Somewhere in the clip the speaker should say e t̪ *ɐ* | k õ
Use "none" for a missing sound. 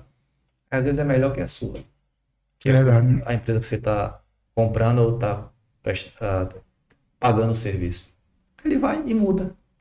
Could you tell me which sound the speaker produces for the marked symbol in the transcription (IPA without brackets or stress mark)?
a